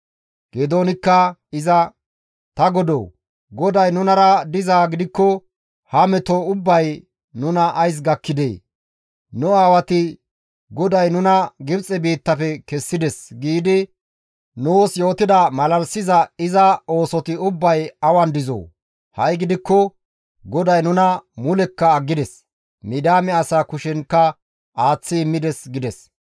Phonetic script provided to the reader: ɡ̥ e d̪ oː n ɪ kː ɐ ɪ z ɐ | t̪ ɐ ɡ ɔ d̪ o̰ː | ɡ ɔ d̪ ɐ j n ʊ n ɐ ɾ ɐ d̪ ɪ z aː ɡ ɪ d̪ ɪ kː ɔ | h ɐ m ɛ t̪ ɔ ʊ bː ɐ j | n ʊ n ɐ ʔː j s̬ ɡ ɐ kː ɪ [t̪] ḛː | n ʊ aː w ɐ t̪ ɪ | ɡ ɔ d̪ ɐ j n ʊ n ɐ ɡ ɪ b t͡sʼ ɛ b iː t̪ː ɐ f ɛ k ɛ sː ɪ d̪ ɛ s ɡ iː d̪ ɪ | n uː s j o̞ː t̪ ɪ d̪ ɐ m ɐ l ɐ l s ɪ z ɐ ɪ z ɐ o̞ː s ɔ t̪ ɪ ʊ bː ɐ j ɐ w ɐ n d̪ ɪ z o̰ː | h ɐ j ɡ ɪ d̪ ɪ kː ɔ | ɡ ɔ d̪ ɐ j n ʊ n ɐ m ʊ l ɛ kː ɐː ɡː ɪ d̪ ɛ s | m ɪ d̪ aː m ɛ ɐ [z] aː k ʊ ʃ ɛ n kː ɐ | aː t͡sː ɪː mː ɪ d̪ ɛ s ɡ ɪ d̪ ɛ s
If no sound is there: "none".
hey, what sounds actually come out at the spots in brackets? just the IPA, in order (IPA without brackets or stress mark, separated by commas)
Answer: d̪, s